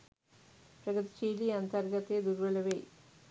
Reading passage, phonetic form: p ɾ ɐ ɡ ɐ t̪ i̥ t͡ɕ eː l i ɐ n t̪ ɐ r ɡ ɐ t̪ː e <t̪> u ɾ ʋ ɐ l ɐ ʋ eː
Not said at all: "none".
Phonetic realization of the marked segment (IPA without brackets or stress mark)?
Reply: d̪